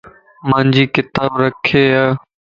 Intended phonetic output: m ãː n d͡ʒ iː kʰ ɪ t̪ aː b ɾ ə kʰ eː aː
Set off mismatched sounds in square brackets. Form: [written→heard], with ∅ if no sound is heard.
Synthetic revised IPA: m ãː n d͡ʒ iː [kʰ→k] ɪ t̪ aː b ɾ ə kʰ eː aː